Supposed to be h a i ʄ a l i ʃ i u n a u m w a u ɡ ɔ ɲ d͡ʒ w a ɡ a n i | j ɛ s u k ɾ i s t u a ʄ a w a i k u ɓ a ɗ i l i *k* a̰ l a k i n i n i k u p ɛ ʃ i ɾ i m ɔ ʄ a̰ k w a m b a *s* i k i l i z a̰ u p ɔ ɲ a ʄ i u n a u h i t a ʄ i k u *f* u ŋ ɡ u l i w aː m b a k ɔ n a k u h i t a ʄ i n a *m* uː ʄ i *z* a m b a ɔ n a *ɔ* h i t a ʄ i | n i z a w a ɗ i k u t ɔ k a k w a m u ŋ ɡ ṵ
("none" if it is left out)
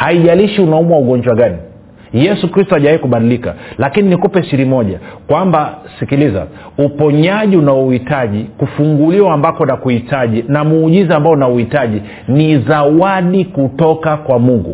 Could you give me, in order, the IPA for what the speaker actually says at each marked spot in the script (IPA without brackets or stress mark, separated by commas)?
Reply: k, s, f, m, z, u